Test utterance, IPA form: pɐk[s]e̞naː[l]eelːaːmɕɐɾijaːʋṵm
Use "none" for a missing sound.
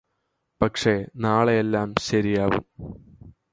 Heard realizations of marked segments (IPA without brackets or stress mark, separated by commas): ʂ, ɭ